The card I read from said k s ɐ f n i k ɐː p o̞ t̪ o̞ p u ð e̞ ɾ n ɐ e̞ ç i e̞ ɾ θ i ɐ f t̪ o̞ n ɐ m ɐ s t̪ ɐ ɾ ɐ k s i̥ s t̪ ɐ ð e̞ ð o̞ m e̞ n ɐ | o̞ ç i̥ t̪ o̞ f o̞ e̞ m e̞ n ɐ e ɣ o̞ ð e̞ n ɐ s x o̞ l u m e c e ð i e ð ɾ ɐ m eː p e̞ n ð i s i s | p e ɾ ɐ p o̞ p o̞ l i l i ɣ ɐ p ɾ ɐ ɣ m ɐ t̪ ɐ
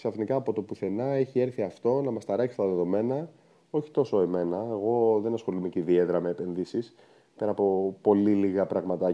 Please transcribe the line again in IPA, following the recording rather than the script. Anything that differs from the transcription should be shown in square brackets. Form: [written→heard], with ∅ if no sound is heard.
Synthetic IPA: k s ɐ f n i k ɐː p o̞ t̪ o̞ p u [ð→θ] e̞ [ɾ→∅] n ɐ e̞ ç i e̞ ɾ θ i ɐ f t̪ o̞ n ɐ m ɐ s t̪ ɐ ɾ ɐ k s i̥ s t̪ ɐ ð e̞ ð o̞ m e̞ n ɐ | o̞ ç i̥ t̪ o̞ [f→s] o̞ e̞ m e̞ n ɐ e ɣ o̞ ð e̞ n ɐ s x o̞ l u m e c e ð i e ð ɾ ɐ m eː p e̞ n ð i s i s | p e ɾ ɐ p o̞ p o̞ l i l i ɣ ɐ p ɾ ɐ ɣ m ɐ t̪ ɐ